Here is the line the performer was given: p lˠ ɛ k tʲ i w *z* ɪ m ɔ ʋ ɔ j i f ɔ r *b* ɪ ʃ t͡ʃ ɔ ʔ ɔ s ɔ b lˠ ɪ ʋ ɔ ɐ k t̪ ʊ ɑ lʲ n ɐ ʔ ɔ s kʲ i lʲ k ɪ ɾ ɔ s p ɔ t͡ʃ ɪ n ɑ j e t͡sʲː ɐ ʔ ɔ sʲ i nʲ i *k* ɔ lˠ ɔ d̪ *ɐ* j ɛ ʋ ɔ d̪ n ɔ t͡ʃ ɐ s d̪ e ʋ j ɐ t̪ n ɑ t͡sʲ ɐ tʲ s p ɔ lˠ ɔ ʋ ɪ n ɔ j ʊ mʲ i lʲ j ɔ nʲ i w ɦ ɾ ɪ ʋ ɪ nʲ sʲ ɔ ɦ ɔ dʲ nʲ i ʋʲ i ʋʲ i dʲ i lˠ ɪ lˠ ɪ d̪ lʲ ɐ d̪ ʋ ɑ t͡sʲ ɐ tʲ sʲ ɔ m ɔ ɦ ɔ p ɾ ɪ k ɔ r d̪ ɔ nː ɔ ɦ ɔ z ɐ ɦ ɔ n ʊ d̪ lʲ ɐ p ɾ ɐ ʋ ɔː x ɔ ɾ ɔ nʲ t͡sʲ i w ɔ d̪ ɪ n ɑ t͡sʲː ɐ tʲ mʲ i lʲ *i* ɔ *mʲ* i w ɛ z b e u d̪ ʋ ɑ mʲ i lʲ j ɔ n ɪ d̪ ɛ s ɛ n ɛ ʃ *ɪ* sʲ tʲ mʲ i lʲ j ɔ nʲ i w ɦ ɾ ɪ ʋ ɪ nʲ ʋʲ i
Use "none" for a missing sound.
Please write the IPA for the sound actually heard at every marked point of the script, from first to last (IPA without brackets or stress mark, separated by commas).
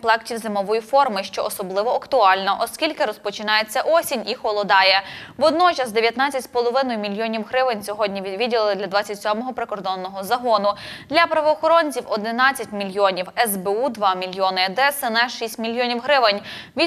z, m, x, ɑ, j, nʲ, i